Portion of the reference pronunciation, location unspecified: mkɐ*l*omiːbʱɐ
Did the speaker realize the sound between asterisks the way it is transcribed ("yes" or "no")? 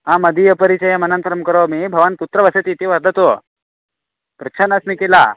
no